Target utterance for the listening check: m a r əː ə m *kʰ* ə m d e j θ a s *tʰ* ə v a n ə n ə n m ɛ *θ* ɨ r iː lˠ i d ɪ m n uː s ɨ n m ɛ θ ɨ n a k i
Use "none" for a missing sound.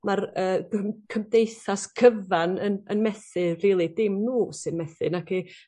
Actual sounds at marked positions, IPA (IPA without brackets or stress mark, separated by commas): kʰ, kʰ, θ